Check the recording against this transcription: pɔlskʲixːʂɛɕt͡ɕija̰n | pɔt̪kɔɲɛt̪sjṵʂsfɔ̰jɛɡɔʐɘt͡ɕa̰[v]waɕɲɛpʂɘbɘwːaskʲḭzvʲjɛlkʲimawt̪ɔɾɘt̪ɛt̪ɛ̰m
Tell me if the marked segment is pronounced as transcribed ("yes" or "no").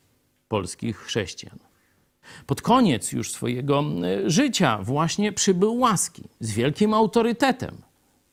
yes